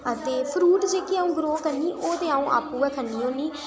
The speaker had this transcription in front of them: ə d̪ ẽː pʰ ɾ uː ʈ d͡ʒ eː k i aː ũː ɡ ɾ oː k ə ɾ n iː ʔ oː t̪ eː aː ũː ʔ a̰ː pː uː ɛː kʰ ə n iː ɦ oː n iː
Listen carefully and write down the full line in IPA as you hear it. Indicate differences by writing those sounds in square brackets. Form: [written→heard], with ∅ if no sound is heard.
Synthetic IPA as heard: ə [d̪→t̪] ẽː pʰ ɾ uː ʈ d͡ʒ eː k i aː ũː ɡ ɾ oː k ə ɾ n iː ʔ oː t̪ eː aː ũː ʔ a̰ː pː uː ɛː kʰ ə n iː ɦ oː n iː